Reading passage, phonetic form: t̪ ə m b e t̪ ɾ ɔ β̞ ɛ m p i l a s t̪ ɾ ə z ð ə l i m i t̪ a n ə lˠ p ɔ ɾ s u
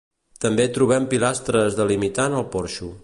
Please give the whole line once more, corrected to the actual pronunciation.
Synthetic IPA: t̪ ə m b e t̪ ɾ u β̞ ɛ m p i l a s t̪ ɾ ə z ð ə l i m i t̪ a n ə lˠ p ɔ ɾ ʃ u